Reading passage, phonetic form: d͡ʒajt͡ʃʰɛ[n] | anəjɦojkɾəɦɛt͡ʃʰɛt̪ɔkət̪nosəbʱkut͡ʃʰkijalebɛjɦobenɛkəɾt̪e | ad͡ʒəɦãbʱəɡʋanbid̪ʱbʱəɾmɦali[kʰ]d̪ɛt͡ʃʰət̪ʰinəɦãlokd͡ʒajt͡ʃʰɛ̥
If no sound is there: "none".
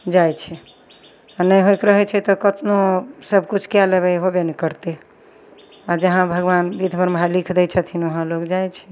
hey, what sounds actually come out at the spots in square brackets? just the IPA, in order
none, kʰ

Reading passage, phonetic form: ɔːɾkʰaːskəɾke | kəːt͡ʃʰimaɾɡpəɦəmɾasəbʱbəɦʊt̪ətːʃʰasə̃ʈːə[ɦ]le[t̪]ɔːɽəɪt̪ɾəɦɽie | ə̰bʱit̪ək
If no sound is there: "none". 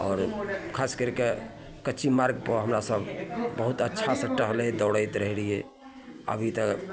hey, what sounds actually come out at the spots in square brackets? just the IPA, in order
ɦ, d̪

